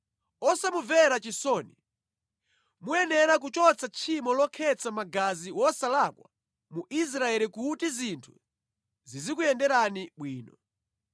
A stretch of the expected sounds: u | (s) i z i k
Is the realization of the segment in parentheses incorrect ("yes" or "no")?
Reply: yes